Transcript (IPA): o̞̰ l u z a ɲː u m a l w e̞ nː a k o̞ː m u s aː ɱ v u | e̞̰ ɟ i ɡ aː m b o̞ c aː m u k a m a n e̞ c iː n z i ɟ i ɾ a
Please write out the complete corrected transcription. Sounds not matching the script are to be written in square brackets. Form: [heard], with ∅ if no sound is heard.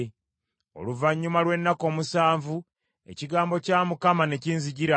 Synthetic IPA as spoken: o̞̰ l u [v] a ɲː u m a l w e̞ nː a k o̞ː m u s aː ɱ v u | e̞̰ [c] i ɡ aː m b o̞ c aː m u k a m a n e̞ c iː n z i ɟ i ɾ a